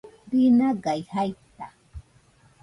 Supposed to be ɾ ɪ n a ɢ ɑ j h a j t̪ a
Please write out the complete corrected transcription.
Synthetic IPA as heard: ɾ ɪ n a ɢ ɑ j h a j t̪ a